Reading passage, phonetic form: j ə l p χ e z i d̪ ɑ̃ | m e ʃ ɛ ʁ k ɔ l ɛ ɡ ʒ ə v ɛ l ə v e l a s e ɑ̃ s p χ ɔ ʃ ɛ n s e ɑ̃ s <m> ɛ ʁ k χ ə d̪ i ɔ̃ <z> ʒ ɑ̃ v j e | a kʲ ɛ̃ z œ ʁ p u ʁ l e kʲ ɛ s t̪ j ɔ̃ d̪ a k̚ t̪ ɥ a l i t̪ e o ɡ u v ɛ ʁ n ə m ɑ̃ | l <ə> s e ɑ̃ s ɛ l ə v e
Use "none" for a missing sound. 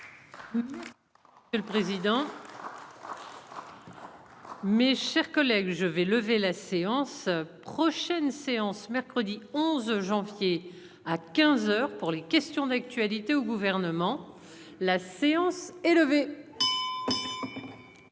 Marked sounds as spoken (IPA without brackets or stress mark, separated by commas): m, z, a